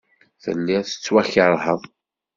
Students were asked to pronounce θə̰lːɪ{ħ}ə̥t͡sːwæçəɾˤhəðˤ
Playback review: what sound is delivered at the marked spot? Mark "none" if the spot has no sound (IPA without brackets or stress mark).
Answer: θ